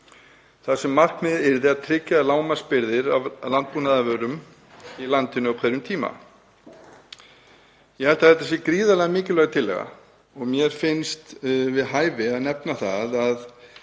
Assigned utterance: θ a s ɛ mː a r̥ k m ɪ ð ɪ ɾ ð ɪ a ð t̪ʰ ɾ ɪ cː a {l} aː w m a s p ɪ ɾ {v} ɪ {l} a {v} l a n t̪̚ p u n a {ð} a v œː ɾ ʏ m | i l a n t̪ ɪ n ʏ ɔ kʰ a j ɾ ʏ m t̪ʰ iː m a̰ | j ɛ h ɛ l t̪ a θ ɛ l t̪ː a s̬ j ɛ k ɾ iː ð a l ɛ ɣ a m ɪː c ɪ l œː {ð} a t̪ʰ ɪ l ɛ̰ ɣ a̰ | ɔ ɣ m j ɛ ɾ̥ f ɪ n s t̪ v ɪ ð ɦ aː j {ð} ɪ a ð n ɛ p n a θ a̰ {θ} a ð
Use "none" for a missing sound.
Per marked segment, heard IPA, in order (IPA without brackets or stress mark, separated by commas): l, ð, ɾ, v, ð, ɣ, v, ð